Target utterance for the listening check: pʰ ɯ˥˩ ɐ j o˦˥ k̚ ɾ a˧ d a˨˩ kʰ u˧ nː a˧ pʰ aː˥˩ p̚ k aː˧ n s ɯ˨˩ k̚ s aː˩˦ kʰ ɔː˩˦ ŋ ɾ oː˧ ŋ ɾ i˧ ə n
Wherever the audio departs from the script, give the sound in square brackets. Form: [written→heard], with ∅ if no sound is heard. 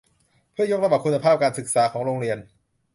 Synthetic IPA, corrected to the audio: pʰ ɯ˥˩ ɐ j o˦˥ k̚ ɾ a˧ [d→b] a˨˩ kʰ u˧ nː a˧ pʰ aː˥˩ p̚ k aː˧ n s ɯ˨˩ k̚ s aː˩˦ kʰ ɔː˩˦ ŋ ɾ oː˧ ŋ ɾ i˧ ə n